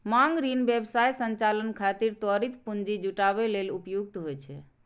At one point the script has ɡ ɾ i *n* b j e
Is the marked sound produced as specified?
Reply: yes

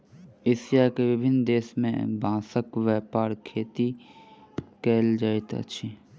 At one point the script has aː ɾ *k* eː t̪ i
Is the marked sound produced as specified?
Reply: no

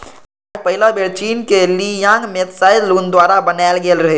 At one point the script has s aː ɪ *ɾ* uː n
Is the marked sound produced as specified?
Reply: no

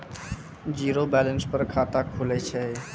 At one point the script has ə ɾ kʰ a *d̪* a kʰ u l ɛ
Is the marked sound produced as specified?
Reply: no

